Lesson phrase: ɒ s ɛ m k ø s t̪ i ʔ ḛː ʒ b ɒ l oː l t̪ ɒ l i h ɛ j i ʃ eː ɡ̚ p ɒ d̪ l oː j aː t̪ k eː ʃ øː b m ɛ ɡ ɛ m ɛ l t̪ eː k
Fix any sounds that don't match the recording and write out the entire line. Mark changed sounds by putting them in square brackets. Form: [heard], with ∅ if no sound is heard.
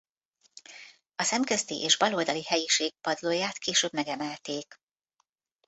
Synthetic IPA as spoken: ɒ s ɛ m k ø s t̪ i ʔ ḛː ʒ b ɒ l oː l [d̪] ɒ l i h ɛ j i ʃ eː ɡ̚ p ɒ d̪ l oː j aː t̪ k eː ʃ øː b m ɛ ɡ ɛ m ɛ l t̪ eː k